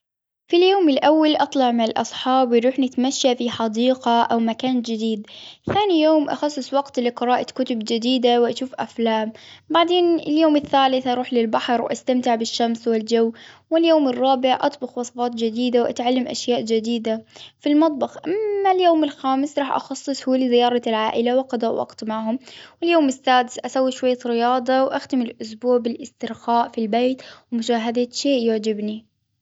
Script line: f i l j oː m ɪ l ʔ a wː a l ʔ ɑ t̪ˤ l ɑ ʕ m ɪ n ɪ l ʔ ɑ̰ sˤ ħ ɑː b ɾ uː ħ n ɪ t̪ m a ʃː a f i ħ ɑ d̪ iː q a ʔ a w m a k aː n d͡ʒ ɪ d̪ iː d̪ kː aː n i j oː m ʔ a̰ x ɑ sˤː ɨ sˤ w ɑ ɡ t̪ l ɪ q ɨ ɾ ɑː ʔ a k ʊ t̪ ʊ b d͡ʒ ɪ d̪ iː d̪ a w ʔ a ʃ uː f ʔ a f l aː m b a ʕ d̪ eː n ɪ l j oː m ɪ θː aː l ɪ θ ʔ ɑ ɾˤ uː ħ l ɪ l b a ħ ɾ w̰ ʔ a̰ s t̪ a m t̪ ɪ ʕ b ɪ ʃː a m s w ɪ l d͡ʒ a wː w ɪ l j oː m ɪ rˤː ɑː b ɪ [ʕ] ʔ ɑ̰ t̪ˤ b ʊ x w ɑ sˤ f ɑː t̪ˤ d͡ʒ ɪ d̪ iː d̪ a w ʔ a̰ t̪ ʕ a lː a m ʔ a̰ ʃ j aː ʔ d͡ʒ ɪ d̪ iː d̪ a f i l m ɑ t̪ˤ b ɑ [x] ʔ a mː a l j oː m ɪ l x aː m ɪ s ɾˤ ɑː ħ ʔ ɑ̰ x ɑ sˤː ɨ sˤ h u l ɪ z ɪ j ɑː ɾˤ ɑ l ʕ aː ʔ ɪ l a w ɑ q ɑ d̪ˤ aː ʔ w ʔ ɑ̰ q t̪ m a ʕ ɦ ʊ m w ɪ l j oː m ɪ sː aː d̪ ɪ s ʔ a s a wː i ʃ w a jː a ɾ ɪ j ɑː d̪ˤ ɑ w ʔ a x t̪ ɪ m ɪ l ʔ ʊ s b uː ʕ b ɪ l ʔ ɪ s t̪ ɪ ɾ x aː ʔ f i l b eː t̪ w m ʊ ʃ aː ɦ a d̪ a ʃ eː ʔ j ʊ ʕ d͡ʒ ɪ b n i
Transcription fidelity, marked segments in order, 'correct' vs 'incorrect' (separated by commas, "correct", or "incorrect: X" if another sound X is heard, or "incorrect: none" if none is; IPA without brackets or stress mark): correct, correct